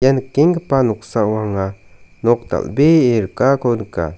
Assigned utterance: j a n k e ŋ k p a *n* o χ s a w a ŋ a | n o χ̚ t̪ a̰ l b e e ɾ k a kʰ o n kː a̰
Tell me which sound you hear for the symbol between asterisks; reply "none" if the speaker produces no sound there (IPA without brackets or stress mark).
n